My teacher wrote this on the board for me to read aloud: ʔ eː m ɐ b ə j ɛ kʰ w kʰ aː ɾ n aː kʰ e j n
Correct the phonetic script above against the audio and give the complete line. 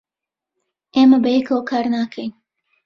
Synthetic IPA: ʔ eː m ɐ b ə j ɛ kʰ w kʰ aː ɾ n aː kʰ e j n